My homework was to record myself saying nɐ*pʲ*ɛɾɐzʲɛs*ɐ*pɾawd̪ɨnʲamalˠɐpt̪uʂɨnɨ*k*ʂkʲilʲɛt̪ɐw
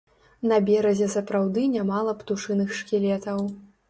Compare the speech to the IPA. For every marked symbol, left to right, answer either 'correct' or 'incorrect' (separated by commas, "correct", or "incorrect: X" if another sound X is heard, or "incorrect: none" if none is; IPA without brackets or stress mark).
incorrect: bʲ, correct, incorrect: x